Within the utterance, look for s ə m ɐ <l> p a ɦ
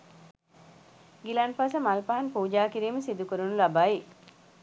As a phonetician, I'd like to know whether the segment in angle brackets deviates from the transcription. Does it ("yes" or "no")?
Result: no